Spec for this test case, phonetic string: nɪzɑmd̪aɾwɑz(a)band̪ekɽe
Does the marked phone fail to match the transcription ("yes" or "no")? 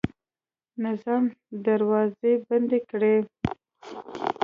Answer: yes